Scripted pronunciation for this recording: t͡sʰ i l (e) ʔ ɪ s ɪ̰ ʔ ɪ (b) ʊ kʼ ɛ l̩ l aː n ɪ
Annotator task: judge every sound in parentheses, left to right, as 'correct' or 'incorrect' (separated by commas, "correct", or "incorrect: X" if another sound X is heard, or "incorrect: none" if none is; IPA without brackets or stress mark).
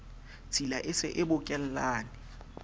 incorrect: a, correct